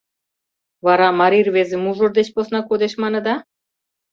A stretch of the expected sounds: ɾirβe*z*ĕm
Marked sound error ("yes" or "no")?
no